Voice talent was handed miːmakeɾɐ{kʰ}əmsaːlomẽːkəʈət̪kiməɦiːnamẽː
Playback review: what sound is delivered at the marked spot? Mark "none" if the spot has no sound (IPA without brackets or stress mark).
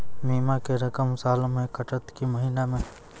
k